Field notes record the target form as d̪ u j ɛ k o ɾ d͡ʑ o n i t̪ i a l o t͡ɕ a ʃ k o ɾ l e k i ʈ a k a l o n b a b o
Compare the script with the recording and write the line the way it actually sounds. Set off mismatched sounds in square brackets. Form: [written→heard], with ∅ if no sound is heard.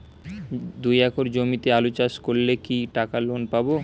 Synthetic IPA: d̪ u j ɛ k o ɾ d͡ʑ o [n→m] i t̪ [i→e] a l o t͡ɕ a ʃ k o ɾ l e k i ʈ a k a l o n [b→p] a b o